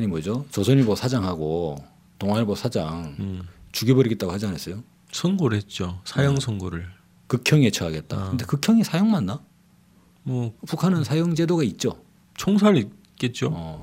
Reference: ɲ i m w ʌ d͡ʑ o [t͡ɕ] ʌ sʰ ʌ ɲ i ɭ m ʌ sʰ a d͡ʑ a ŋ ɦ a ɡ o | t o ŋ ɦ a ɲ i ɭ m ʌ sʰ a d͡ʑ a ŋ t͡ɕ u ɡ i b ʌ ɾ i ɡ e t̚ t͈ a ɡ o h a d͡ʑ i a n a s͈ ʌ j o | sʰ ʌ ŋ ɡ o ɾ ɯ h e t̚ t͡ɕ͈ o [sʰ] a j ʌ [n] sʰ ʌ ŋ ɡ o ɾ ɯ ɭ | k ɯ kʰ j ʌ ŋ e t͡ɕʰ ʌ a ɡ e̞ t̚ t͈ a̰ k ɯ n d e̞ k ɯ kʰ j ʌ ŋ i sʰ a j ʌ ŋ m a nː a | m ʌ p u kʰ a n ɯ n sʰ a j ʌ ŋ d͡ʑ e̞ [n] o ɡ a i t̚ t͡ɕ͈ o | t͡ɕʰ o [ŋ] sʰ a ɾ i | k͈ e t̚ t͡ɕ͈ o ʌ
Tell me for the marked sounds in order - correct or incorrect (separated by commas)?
correct, correct, incorrect, incorrect, correct